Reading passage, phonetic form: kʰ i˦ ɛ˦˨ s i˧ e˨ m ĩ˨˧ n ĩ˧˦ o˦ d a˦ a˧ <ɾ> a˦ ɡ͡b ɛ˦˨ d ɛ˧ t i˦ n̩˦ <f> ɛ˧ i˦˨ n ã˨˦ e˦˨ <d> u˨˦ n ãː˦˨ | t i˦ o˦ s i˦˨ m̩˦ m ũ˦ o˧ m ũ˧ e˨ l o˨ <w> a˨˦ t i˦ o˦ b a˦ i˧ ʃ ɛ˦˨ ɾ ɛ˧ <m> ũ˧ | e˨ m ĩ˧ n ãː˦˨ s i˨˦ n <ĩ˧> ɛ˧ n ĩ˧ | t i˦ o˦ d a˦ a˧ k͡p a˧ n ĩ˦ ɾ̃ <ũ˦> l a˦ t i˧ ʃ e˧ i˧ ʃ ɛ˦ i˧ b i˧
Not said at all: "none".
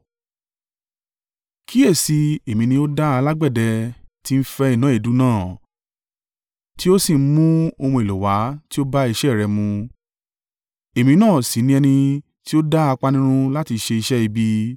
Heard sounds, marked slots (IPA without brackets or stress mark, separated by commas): l, f, d, w, m, ĩ˧, ũ˦